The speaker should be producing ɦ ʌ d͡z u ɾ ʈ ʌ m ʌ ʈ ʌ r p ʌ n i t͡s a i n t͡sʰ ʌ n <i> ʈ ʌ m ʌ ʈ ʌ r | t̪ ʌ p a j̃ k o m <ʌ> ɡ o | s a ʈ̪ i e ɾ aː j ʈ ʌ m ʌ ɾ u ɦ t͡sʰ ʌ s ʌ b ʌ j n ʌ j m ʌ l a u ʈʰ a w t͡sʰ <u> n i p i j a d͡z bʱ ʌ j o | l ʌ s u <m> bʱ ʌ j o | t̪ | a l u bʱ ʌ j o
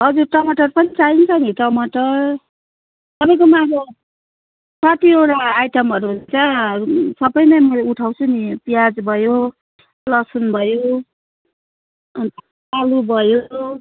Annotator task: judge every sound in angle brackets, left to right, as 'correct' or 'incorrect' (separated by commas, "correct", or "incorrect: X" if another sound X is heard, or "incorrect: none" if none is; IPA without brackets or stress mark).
correct, incorrect: a, correct, incorrect: n